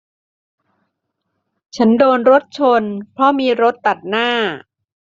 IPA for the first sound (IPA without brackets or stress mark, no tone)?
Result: t͡ɕʰ